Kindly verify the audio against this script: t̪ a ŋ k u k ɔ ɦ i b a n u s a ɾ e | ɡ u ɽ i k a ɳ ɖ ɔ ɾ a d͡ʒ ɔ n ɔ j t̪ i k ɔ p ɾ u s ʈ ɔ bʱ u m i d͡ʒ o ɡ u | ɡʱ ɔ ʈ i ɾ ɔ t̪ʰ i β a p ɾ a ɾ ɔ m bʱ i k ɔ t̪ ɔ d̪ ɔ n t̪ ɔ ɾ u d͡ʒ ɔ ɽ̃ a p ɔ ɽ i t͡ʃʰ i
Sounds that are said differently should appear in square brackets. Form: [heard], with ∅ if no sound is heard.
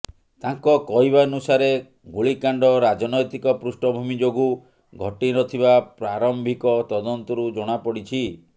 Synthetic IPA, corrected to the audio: t̪ a ŋ k [ɔ] k ɔ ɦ i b a n u s a ɾ e | ɡ u [ɭ] i k a ɳ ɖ ɔ ɾ a d͡ʒ ɔ n ɔ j t̪ i k ɔ p ɾ u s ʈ ɔ bʱ u m i d͡ʒ o ɡ u | ɡʱ ɔ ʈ i ɾ ɔ t̪ʰ i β a p ɾ a ɾ ɔ m bʱ i k ɔ t̪ ɔ d̪ ɔ n t̪ ɔ ɾ u d͡ʒ ɔ ɽ̃ a p ɔ ɽ i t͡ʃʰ i